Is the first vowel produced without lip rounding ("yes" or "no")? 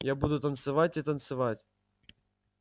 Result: yes